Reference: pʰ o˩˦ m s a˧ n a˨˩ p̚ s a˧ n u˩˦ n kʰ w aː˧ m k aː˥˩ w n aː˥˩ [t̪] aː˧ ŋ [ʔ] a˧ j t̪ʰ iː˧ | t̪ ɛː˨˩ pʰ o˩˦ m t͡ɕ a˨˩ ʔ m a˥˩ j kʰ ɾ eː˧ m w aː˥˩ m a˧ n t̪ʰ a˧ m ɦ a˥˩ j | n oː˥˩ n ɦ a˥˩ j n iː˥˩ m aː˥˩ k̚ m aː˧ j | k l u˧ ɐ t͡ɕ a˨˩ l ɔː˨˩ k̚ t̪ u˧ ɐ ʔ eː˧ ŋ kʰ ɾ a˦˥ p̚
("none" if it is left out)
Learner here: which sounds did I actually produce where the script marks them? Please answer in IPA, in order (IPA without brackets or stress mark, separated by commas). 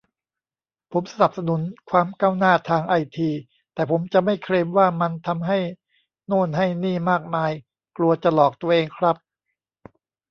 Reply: t̪ʰ, ʔ